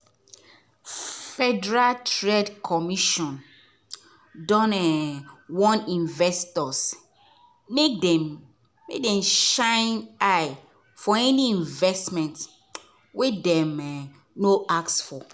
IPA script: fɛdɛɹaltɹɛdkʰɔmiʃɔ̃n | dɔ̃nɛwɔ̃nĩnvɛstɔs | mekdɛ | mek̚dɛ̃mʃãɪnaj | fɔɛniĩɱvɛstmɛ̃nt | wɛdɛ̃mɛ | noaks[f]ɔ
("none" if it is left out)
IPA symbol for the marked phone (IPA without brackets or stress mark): f